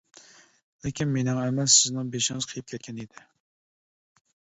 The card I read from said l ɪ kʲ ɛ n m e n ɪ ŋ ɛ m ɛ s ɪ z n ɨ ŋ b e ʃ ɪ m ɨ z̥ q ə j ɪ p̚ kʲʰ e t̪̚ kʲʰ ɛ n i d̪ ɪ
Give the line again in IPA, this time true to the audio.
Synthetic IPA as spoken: l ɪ kʲ i n m e n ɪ ŋ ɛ m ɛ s ɪ z n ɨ ŋ b e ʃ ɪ ŋ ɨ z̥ qʰ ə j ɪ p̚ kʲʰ ɛ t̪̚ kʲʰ ɛ n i d̪ ɪ